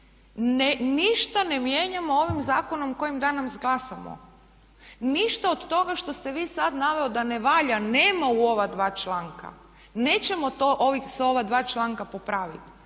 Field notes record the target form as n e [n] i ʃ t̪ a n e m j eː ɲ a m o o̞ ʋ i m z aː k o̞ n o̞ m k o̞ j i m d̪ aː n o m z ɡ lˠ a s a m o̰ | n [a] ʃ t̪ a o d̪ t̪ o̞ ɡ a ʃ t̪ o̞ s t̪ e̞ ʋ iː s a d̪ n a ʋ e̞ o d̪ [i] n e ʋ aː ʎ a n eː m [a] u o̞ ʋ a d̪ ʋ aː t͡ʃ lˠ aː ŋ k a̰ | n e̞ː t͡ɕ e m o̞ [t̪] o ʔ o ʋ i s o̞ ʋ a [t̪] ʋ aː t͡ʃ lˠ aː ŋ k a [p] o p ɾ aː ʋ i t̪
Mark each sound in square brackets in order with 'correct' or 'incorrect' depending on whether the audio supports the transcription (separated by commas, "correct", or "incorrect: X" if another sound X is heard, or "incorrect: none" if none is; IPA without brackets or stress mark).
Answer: correct, incorrect: i, incorrect: a, correct, correct, incorrect: d̪, correct